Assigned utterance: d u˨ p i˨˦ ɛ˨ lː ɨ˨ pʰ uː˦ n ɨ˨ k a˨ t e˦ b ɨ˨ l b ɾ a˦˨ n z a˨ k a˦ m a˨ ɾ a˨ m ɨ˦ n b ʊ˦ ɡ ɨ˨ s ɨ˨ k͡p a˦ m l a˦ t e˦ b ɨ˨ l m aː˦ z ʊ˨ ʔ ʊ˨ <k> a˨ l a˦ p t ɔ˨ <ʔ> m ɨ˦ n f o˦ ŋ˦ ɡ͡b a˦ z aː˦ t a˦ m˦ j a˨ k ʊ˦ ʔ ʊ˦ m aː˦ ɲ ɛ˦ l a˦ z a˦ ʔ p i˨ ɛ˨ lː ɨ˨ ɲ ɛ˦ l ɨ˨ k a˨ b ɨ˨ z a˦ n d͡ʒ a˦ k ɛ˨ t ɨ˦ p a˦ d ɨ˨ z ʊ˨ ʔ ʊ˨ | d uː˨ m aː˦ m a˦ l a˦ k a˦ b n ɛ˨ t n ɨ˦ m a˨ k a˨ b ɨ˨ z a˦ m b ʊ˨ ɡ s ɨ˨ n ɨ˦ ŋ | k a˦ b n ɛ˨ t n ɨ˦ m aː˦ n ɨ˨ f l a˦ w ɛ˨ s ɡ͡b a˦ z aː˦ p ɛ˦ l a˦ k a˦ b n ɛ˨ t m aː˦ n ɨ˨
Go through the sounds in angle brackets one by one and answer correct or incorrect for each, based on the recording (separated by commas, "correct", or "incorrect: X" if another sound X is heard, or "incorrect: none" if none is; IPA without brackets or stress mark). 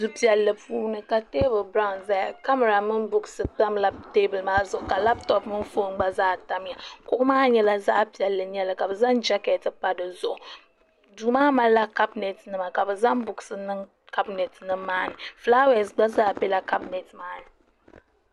correct, incorrect: p